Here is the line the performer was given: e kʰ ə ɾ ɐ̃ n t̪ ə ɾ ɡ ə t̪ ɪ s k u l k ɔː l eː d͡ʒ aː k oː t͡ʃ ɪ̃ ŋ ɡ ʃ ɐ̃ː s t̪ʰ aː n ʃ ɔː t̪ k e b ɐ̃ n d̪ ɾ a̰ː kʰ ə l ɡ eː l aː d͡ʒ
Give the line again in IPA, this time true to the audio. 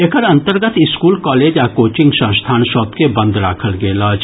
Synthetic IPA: e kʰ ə ɾ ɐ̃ n t̪ ə ɾ ɡ ə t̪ ɪ s k uː l k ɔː l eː d͡ʒ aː k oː t͡ʃ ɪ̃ ŋ ɡ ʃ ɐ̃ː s t̪ʰ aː n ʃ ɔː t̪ k e b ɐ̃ n d̪ ɾ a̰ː kʰ ə l ɡ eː l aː d͡ʒ